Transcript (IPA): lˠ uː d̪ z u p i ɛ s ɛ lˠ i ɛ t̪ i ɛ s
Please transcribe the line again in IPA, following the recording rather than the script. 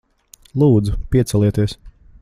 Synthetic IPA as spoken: lˠ uː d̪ z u p i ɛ s ɛ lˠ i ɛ t̪ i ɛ s